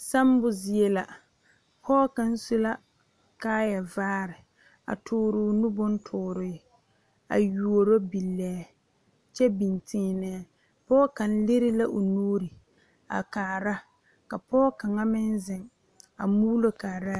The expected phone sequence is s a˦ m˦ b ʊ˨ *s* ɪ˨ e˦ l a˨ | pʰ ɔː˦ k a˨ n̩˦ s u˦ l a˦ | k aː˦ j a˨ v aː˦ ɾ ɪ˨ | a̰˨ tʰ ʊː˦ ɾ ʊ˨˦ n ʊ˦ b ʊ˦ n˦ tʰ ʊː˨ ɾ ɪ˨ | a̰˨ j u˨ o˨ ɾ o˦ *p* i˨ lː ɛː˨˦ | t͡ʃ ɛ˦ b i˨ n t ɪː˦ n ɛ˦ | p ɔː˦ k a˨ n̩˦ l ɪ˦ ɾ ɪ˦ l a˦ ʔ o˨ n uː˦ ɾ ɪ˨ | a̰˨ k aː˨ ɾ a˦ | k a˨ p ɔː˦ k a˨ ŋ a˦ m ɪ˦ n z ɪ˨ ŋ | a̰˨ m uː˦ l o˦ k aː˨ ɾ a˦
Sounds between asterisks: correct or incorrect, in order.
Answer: incorrect, incorrect

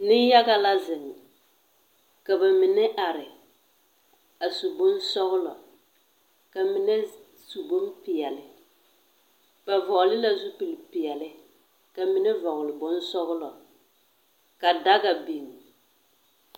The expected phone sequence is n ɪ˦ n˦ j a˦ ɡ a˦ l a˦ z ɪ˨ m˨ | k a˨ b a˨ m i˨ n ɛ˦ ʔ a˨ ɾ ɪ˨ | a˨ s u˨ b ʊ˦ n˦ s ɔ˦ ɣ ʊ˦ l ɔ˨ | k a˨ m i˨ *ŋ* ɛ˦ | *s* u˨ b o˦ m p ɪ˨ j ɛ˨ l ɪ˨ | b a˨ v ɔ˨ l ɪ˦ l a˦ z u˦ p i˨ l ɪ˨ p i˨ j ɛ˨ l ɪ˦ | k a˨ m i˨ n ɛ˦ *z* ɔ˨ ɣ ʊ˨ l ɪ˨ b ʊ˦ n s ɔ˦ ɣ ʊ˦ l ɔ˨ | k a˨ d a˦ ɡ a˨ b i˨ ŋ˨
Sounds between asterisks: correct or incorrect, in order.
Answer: incorrect, correct, incorrect

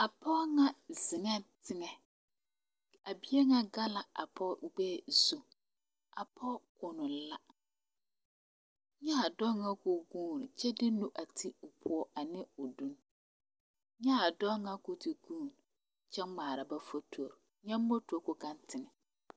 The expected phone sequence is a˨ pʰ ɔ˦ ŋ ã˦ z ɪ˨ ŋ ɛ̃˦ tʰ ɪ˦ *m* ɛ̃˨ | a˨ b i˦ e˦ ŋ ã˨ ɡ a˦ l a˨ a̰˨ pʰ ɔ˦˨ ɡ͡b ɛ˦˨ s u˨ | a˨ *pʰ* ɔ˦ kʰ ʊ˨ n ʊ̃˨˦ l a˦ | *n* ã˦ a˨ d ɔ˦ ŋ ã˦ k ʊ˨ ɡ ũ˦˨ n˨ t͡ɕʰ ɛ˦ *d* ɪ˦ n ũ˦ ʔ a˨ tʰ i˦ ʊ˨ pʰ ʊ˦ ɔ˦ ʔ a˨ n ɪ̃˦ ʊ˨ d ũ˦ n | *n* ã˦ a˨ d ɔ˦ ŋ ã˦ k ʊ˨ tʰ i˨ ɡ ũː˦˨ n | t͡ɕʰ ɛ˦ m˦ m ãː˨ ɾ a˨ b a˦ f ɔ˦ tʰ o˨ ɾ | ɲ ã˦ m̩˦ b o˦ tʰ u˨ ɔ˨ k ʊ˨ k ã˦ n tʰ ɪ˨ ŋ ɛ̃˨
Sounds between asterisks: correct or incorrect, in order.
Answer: incorrect, correct, incorrect, correct, incorrect

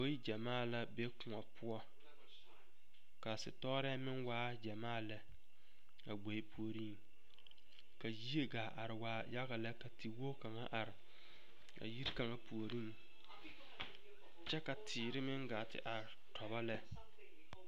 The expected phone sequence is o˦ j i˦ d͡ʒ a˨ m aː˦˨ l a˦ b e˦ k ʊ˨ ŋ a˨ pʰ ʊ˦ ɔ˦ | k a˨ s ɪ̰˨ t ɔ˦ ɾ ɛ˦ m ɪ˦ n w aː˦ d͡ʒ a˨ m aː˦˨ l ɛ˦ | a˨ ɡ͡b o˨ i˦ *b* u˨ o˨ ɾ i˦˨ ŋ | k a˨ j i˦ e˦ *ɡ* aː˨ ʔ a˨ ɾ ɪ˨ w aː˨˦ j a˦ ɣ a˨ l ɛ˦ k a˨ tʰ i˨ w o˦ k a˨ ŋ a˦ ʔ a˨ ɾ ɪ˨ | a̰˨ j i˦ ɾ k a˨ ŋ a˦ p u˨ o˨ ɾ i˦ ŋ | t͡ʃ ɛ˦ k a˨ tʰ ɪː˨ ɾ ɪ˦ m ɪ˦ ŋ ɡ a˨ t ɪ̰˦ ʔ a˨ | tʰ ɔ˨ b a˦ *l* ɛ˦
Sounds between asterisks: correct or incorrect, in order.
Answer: incorrect, correct, correct

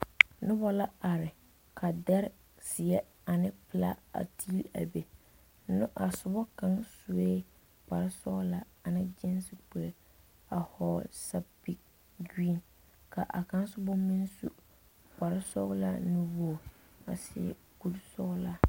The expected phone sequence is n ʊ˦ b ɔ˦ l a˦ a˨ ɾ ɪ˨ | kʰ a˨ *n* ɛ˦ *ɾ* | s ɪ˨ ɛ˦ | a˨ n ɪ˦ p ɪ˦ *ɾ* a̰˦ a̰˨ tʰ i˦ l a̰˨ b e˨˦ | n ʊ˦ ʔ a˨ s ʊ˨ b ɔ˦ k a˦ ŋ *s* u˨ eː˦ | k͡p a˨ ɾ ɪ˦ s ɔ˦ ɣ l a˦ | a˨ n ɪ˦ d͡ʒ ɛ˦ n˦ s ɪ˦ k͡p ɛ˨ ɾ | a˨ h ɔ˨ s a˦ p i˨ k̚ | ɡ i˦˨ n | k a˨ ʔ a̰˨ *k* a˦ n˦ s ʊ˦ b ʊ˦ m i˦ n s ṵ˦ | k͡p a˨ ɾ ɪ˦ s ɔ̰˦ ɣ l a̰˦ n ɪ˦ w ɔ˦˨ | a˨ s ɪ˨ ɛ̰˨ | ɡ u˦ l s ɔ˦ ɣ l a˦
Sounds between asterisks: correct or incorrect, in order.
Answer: incorrect, correct, incorrect, correct, correct

